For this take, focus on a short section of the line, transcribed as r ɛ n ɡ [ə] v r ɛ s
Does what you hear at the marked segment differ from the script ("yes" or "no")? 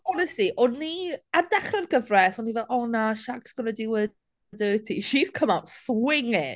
no